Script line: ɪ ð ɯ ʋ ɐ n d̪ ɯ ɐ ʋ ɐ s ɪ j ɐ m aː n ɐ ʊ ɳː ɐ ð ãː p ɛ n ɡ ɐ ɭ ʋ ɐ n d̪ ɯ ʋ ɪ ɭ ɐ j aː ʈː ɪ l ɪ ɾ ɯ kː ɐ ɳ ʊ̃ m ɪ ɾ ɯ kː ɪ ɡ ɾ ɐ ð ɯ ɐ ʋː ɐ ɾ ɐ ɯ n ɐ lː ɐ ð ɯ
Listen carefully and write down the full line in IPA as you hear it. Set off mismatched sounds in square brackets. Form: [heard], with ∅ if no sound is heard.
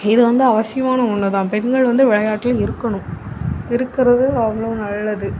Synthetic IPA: ɪ ð ɯ ʋ ɐ n d̪ ɯ ɐ ʋ ɐ s ɪ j ɐ m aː n ɐ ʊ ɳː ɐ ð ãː p ɛ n ɡ ɐ ɭ ʋ ɐ n d̪ ɯ ʋ ɪ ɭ ɐ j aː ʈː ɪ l ɪ ɾ ɯ kː ɐ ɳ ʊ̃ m ɪ ɾ ɯ kː ɪ [∅] ɾ ɐ ð ɯ ɐ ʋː ɐ [ɭ] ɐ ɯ n ɐ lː ɐ ð ɯ